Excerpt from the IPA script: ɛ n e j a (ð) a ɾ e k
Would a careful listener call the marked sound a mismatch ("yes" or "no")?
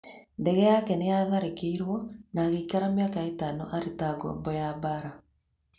no